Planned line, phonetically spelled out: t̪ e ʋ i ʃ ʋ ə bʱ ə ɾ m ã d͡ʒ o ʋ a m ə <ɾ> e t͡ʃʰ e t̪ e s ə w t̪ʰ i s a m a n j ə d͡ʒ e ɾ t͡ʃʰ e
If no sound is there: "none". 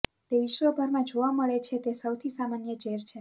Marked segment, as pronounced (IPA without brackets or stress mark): ɭ